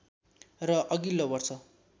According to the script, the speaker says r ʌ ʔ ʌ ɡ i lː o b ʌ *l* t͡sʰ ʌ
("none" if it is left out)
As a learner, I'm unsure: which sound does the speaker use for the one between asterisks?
r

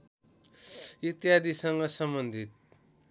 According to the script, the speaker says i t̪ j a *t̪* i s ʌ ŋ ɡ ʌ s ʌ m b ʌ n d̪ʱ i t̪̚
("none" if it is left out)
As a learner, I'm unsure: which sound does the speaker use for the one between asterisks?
d̪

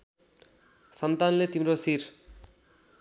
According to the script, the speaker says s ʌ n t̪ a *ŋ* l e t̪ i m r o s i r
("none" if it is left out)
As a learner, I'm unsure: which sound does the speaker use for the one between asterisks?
n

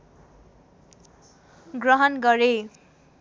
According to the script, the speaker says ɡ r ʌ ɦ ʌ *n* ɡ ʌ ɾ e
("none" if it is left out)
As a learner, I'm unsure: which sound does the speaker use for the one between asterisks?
n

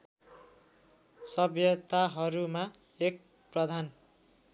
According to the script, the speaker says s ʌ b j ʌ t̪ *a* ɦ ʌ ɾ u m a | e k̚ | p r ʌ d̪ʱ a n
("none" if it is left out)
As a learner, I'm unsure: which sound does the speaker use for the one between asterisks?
a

